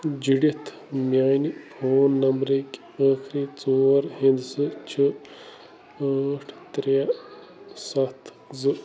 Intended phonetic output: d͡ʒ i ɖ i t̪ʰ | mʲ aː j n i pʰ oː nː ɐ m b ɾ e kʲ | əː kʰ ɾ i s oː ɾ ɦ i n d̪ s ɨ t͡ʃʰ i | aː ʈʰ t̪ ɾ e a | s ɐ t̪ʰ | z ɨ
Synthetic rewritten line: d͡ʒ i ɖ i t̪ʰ | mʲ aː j n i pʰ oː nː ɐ m b ɾ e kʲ | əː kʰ ɾ i t͡s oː ɾ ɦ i n d̪ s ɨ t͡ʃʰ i | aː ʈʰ t̪ ɾ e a | s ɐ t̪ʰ | z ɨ